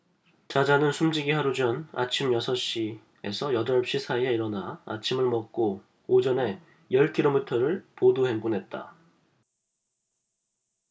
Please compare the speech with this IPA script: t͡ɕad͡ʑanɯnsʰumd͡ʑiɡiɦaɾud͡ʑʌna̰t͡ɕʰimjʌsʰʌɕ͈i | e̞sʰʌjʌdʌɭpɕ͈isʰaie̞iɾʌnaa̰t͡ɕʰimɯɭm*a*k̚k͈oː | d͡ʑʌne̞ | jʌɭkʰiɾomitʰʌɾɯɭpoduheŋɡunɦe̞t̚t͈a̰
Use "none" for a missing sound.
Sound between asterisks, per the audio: ʌ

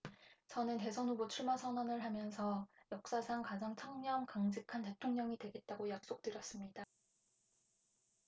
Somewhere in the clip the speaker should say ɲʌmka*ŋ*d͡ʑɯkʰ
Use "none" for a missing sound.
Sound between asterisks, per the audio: ŋ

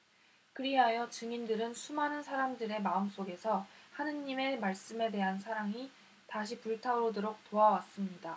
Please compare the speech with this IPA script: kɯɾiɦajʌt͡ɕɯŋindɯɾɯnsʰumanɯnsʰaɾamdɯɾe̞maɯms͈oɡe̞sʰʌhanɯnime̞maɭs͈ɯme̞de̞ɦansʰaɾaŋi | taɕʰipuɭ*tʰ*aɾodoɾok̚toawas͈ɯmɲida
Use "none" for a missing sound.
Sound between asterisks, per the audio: tʰ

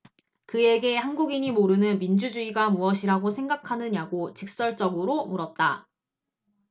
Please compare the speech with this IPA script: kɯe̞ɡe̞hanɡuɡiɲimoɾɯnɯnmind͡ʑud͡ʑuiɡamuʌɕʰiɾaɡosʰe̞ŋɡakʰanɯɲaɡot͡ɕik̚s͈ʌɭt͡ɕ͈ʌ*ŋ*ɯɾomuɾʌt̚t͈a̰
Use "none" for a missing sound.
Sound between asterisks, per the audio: ɡ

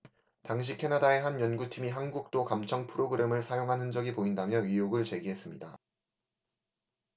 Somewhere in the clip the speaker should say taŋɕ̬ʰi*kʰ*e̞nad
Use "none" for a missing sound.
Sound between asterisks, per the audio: kʰ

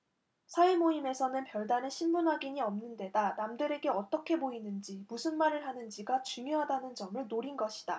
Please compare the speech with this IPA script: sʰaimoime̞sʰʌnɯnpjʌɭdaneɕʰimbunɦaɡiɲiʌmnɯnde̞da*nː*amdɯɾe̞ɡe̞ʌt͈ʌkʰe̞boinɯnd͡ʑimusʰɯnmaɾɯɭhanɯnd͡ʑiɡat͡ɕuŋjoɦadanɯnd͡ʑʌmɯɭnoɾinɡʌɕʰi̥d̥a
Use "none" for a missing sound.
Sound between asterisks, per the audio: n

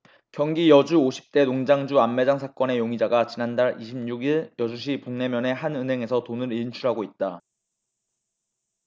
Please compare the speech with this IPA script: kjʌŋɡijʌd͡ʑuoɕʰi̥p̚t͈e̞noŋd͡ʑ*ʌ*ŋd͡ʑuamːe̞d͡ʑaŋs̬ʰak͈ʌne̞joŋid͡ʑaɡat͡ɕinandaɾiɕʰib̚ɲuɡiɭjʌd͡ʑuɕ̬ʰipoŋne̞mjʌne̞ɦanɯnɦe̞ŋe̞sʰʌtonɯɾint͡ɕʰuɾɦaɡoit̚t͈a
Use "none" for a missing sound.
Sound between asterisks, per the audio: a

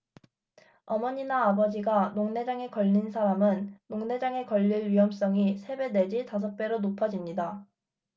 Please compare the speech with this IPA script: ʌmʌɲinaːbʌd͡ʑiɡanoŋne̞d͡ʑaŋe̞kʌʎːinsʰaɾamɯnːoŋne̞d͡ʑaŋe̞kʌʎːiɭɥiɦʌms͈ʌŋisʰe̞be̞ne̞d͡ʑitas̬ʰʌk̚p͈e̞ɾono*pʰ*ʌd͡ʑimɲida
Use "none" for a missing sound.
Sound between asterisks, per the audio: pʰ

